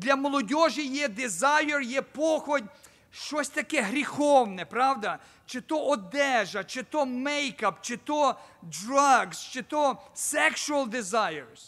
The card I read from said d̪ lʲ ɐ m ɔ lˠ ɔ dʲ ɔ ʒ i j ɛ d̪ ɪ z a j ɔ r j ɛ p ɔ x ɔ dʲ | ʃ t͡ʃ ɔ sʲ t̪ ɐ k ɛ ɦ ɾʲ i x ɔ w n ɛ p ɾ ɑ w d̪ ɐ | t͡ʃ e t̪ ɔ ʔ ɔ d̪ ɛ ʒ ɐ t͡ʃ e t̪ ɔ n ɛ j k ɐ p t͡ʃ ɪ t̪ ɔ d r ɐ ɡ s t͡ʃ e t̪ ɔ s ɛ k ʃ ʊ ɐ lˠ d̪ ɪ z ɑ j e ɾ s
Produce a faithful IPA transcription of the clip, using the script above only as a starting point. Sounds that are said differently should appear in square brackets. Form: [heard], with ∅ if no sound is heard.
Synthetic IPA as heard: d̪ lʲ ɐ m ɔ lˠ ɔ dʲ ɔ ʒ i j ɛ d̪ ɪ z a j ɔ r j ɛ p ɔ x ɔ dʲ | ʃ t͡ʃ ɔ sʲ t̪ ɐ k ɛ ɦ ɾʲ i x ɔ w n ɛ p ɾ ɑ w d̪ ɐ | t͡ʃ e t̪ ɔ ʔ ɔ d̪ ɛ ʒ ɐ t͡ʃ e t̪ ɔ [m] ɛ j k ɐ p t͡ʃ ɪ t̪ ɔ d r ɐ ɡ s t͡ʃ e t̪ ɔ s ɛ k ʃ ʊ ɐ lˠ d̪ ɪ z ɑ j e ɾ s